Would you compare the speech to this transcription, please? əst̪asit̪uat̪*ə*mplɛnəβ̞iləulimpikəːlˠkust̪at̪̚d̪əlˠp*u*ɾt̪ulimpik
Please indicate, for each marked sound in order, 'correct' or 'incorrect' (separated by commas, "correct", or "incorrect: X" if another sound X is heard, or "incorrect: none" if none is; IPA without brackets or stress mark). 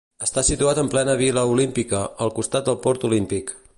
correct, incorrect: ɔ